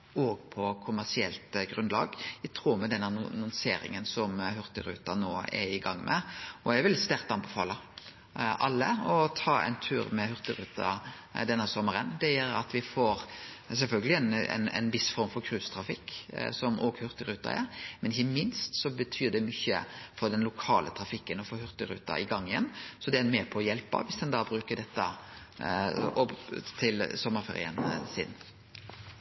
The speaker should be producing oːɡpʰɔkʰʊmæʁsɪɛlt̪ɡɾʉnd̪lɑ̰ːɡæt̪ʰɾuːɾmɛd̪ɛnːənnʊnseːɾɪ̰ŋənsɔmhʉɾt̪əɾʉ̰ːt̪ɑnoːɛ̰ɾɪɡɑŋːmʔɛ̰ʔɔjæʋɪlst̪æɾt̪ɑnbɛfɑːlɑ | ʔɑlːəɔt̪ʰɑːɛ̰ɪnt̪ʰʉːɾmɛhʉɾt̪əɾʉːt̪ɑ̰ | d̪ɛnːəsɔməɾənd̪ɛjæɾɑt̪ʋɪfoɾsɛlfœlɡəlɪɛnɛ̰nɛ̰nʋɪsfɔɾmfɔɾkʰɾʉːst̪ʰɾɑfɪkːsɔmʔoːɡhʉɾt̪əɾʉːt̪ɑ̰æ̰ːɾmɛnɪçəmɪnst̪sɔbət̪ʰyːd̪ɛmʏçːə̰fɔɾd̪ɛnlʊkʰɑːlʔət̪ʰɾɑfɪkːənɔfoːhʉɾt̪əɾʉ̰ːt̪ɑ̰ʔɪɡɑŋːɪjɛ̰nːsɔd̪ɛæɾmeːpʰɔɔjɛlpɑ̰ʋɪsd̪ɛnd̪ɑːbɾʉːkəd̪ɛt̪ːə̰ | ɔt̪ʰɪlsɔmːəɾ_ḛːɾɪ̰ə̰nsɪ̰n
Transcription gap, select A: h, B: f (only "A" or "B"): B